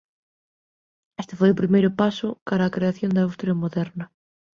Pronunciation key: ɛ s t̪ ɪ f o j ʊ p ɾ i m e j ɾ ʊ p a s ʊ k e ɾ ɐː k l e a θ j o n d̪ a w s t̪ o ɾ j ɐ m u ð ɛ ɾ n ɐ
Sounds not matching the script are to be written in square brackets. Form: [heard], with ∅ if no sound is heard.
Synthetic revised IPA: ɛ s t̪ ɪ f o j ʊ p ɾ i m e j ɾ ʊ p a s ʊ k [a] ɾ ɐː k [ɾ] e a θ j o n d̪ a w s t̪ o ɾ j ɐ m [o] ð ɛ ɾ n ɐ